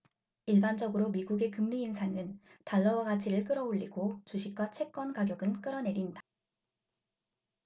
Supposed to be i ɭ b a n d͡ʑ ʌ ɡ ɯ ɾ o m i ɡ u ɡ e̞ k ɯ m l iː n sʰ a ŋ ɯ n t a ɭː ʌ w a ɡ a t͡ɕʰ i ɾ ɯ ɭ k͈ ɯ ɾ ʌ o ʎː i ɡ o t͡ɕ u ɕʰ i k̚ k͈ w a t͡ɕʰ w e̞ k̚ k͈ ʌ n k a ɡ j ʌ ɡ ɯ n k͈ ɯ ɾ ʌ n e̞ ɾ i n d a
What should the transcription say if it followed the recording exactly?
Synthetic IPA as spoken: i ɭ b a n d͡ʑ ʌ ɡ ɯ ɾ o m i ɡ u ɡ e̞ k ɯ m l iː n sʰ a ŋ ɯ n t a ɭː ʌ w a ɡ a t͡ɕʰ i ɾ ɯ ɭ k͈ ɯ ɾ ʌ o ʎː i ɡ o t͡ɕ u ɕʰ i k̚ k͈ w a t͡ɕʰ w e̞ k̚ k͈ ʌ n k a ɡ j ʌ ɡ ɯ n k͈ ɯ ɾ ʌ n e̞ ɾ i n d a